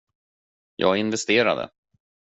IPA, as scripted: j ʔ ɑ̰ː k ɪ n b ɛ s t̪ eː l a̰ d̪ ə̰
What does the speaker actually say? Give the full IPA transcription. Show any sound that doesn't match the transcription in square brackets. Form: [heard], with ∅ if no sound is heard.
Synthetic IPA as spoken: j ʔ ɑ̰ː [ɡ] ɪ n [v] ɛ s t̪ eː [ɾ] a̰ d̪ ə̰